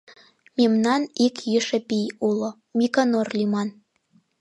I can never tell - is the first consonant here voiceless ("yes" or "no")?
no